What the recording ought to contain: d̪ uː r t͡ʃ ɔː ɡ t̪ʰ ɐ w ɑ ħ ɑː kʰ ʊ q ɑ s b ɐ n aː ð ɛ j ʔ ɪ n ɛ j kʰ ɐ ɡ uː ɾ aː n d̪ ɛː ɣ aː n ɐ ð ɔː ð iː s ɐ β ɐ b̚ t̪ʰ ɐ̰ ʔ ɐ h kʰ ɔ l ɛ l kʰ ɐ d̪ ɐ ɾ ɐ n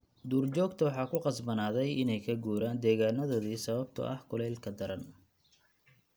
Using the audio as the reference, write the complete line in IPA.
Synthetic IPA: d̪ uː r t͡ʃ ɔː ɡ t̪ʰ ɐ w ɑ ħ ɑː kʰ ʊ q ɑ s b ɐ n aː ð ɛ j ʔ ɪ n ɛ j kʰ ɐ ɡ uː ɾ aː n d̪ ɛː ɣ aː n ɐ ð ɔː ð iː s ɐ β ɐ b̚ t̪ʰ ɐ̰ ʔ ɐ h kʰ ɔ l ɛ l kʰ ɐ d̪ ɐ ɾ ɐ n